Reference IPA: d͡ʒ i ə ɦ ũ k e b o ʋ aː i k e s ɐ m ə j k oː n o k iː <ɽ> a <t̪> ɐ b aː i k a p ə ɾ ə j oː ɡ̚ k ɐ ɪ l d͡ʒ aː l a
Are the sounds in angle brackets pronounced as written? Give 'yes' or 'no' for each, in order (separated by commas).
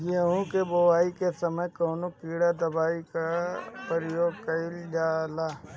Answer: yes, no